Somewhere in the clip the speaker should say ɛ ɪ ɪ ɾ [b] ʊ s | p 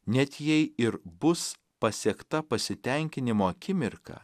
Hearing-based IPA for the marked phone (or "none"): b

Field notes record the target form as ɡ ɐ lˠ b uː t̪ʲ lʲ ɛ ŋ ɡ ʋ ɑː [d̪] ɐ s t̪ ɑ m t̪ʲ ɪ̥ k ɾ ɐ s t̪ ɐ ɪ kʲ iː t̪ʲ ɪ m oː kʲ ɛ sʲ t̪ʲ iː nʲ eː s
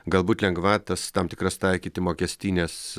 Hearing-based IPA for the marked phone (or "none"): t̪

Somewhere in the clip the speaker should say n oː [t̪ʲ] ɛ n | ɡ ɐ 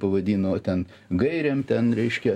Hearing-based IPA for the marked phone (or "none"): t̪ʲ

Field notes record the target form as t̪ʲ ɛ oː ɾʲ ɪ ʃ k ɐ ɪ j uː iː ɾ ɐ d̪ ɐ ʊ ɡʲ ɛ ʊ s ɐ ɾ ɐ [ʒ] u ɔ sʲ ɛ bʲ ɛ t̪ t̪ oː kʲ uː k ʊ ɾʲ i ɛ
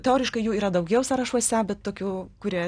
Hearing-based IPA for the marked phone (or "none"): ʃ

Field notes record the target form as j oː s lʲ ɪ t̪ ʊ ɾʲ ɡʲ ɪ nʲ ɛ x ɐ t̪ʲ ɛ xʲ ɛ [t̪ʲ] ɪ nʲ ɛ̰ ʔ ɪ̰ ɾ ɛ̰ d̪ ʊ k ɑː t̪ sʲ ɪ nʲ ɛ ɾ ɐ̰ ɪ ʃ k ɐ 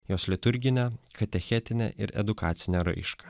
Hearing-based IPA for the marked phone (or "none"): t̪ʲ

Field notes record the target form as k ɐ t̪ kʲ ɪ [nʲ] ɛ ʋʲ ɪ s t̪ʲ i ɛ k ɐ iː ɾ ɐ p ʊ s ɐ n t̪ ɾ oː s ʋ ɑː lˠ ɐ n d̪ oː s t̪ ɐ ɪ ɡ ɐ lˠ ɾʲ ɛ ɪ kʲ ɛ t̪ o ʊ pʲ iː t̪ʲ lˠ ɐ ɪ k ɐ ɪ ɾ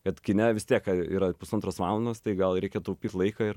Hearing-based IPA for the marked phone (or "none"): nʲ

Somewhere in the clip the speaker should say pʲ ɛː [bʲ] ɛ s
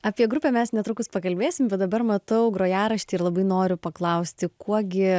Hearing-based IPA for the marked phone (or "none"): mʲ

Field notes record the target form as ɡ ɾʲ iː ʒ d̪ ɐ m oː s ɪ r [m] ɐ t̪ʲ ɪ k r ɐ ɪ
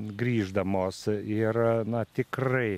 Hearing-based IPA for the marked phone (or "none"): n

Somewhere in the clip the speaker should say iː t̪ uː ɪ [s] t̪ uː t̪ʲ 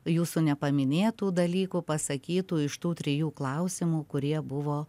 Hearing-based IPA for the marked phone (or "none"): ʃ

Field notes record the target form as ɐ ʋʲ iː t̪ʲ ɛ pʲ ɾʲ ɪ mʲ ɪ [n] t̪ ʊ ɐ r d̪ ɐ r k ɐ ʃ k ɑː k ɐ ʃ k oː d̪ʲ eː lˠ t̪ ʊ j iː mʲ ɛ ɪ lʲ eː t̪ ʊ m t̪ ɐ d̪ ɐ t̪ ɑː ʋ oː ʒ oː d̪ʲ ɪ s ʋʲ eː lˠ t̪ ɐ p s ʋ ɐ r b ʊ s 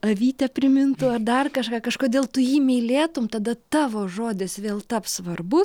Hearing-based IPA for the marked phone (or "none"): n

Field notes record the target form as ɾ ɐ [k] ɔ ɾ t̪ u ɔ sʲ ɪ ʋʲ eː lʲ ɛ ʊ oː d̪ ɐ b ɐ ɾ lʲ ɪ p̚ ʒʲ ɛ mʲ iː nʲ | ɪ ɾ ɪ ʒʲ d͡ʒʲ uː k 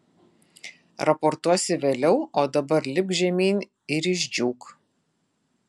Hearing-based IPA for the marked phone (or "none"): p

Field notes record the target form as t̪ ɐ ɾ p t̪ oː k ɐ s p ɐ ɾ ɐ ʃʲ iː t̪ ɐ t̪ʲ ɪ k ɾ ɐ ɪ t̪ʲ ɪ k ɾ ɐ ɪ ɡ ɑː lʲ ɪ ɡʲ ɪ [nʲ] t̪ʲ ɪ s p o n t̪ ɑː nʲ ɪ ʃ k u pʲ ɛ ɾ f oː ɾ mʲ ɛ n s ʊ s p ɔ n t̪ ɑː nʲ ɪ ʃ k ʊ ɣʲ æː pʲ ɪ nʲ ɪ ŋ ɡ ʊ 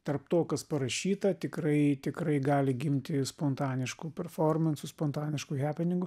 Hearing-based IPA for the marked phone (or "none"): mʲ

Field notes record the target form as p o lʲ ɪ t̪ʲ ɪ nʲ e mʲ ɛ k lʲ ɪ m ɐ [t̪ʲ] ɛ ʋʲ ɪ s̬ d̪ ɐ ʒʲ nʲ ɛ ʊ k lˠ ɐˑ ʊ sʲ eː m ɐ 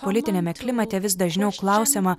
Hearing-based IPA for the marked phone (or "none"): t̪ʲ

